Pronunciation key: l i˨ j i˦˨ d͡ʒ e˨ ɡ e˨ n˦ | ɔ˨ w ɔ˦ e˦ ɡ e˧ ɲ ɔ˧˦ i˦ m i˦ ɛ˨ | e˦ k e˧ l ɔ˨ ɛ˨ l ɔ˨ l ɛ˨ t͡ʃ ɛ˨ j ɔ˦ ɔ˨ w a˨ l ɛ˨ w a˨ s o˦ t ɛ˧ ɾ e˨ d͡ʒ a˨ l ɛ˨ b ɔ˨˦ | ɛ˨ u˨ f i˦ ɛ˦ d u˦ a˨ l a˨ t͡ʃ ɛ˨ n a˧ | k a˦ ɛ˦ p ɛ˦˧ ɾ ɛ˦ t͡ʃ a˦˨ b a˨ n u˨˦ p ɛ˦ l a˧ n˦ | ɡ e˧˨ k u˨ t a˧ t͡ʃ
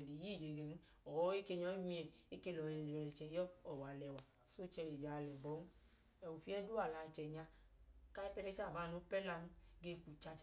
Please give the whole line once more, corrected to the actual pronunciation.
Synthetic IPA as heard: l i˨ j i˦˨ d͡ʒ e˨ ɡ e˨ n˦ | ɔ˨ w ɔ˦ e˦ k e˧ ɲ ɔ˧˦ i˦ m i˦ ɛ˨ | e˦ k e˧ l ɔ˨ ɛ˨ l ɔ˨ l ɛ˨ t͡ʃ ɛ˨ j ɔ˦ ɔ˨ w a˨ l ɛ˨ w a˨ s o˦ t͡ʃ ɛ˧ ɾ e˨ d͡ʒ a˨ l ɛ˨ b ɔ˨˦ | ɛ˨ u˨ f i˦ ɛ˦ d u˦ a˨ l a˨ t͡ʃ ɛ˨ ɲ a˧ | k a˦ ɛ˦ p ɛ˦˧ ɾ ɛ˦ t͡ʃ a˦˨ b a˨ n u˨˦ p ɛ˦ l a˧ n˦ | ɡ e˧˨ k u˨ t͡ʃ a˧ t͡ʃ